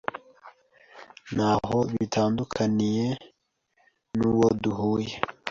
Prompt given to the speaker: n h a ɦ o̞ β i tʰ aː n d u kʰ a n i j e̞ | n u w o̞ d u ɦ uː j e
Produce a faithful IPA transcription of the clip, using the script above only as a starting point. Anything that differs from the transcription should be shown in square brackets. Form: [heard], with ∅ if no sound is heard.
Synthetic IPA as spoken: n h a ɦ o̞ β i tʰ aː n d u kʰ a n i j e̞ | n u w o̞ d u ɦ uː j e